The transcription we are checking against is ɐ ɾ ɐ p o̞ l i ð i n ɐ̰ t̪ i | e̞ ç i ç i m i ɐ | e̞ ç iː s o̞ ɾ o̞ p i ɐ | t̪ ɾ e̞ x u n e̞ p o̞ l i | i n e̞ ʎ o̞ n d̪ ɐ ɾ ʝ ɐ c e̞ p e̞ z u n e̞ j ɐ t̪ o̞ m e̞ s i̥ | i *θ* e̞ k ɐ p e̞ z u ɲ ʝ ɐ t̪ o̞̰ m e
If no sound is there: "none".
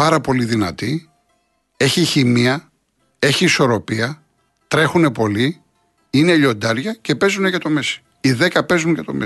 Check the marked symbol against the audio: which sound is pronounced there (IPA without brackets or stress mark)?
ð